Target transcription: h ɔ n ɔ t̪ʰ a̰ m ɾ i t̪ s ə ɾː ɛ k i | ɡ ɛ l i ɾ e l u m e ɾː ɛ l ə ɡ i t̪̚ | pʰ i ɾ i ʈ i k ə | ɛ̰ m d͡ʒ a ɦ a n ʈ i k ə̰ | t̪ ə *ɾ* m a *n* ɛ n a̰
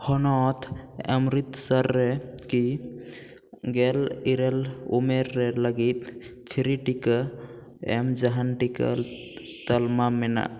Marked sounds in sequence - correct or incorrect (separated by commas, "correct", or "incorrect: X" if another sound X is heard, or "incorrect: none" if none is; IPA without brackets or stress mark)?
incorrect: l, incorrect: m